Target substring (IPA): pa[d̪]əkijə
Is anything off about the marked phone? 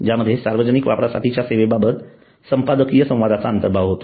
no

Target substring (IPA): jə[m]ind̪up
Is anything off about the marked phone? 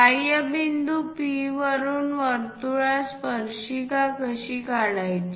yes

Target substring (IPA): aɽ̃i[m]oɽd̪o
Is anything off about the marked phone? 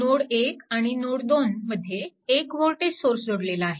yes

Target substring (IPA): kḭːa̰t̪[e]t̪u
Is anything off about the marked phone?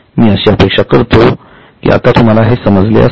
yes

